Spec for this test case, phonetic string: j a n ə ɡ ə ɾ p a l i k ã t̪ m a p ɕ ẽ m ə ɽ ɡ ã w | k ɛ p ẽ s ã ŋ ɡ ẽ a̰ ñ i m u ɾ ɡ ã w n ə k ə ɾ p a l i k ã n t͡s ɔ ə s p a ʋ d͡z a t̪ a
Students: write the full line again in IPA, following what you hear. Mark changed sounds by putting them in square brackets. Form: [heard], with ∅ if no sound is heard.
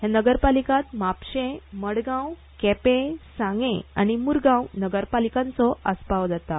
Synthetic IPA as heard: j a n ə ɡ ə ɾ p a l i k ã t̪ m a p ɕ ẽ m ə ɽ ɡ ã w | k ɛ p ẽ s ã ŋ ɡ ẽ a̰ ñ i m u ɾ ɡ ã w n ə [ɡ] ə ɾ p a l i k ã n t͡s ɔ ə s p a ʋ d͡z a t̪ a

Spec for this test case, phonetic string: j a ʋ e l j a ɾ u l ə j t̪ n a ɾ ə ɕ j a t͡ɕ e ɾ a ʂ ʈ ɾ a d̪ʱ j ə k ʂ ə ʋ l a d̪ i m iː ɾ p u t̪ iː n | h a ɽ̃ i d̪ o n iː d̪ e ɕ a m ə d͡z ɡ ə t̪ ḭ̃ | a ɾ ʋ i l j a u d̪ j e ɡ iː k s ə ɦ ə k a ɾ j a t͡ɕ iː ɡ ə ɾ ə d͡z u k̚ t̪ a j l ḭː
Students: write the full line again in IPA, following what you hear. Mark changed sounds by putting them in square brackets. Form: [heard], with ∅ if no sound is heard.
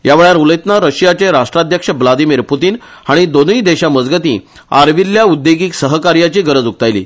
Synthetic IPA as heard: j a ʋ e [ɭ] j a ɾ u l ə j t̪ n a ɾ ə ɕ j a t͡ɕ e ɾ a ʂ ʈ ɾ a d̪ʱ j ə k ʂ ə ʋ l a d̪ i m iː ɾ p u t̪ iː n | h a ɽ̃ i d̪ o n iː d̪ e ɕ a m ə d͡z ɡ ə t̪ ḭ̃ | a ɾ ʋ i l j a u d̪ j e ɡ iː k s ə ɦ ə k a ɾ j a t͡ɕ iː ɡ ə ɾ ə d͡z u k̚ t̪ a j l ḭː

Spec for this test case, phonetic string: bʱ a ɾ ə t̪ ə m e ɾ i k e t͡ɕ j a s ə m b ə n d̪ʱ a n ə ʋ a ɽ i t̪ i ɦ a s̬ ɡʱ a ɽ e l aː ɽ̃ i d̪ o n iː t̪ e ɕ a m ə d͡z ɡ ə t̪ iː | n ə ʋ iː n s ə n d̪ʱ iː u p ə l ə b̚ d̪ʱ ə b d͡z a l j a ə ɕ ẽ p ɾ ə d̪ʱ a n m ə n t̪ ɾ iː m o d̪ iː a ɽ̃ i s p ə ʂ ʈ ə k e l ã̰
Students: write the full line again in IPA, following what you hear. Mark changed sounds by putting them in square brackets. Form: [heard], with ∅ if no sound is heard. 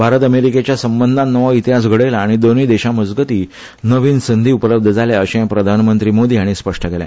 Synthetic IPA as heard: bʱ a ɾ ə t̪ ə m e ɾ i k e t͡ɕ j a s ə m b ə n d̪ʱ a n ə ʋ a [∅] i t̪ i ɦ a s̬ ɡʱ [ə] ɽ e l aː ɽ̃ i d̪ o n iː [d̪] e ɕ a m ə d͡z ɡ ə t̪ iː | n ə ʋ iː n s ə n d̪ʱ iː u p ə l ə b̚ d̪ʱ ə [∅] d͡z a l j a ə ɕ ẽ p ɾ ə d̪ʱ a n m ə n t̪ ɾ iː m o d̪ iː a ɽ̃ i s p ə ʂ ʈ ə k e l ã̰

